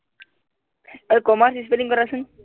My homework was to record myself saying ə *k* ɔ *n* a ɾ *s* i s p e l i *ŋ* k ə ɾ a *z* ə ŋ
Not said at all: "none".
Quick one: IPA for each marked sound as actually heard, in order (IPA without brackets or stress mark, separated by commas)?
k, m, s, ŋ, s